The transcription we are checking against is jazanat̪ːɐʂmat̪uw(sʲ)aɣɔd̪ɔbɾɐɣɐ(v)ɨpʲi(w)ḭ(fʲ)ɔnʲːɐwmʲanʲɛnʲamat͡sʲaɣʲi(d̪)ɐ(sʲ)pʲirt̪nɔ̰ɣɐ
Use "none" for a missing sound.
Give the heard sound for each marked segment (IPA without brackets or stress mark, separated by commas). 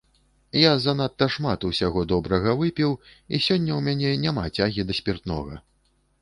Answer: sʲ, v, w, sʲ, d̪, sʲ